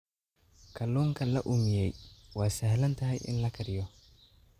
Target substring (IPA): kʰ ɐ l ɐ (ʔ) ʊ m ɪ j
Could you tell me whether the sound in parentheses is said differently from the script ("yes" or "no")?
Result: no